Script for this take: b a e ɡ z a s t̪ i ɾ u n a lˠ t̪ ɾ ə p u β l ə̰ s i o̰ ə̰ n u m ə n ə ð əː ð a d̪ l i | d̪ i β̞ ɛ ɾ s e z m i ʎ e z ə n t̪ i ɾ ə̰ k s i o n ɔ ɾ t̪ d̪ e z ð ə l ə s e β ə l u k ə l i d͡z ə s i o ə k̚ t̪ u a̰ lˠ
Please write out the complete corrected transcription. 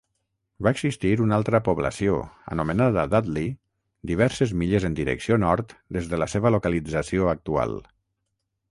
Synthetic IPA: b a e ɡ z i s t̪ i ɾ u n a lˠ t̪ ɾ ə p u β l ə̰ s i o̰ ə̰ n u m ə n a ð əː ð a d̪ l i | d̪ i β̞ ɛ ɾ s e z m i ʎ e z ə n d̪ i ɾ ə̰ k s i o n ɔ ɾ t̪ d̪ e z ð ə l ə s e β ə l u k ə l i d͡z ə s i o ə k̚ t̪ u a̰ lˠ